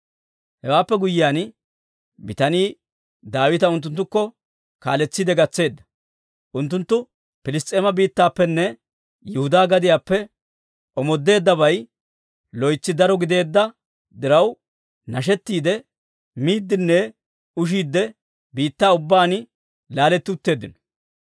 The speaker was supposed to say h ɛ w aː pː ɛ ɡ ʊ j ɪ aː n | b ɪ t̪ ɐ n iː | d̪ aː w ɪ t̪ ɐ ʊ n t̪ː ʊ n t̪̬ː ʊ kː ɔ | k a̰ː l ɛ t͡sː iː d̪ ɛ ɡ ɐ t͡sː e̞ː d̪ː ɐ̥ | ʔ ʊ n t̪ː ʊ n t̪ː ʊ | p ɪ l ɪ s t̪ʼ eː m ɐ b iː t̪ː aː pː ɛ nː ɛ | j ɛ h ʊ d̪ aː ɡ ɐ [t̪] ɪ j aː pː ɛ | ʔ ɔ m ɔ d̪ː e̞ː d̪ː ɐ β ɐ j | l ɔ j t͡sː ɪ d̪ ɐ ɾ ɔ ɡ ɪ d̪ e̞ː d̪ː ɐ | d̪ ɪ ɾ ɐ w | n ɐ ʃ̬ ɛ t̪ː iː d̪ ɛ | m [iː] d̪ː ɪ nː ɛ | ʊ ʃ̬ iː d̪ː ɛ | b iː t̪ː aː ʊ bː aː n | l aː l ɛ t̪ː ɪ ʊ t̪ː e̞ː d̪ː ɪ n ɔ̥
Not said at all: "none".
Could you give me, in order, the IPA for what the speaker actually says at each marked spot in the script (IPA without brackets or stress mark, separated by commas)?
d̪, iː